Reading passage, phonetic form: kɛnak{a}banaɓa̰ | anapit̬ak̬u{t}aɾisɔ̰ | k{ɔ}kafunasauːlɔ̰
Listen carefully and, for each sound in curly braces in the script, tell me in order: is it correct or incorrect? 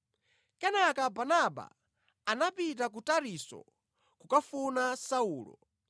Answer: correct, correct, incorrect

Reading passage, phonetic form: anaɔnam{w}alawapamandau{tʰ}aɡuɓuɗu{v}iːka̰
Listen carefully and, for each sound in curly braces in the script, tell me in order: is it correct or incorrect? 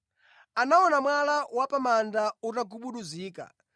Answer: correct, incorrect, incorrect

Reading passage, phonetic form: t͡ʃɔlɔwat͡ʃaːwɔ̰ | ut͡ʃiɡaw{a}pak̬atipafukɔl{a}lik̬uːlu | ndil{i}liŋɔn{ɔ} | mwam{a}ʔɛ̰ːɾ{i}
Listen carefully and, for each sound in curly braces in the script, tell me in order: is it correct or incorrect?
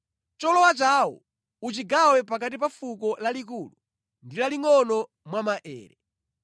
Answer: incorrect, correct, incorrect, correct, correct, incorrect

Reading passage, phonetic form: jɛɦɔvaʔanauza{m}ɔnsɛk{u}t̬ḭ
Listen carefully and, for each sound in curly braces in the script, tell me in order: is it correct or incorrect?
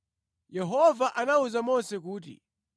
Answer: correct, incorrect

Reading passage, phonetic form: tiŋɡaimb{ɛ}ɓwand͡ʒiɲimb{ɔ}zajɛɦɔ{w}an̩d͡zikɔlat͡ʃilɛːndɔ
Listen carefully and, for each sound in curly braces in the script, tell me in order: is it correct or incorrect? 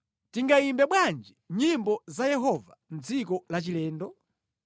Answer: correct, correct, incorrect

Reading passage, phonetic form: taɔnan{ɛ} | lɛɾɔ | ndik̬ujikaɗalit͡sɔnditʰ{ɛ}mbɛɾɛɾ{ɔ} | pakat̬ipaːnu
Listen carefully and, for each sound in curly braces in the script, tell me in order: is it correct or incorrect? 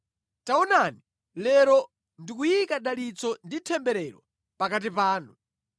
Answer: incorrect, correct, correct

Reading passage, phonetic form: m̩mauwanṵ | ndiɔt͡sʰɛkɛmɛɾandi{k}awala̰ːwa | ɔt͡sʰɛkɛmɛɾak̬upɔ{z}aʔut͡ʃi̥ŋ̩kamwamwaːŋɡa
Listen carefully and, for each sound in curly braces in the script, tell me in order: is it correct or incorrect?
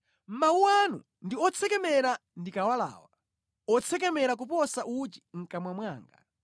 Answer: correct, incorrect

